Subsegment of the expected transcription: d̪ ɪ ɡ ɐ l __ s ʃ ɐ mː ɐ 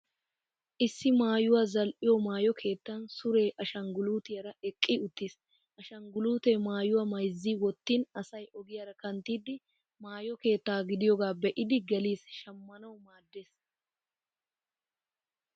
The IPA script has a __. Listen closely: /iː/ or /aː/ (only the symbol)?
iː